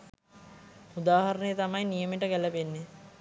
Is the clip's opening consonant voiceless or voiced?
voiced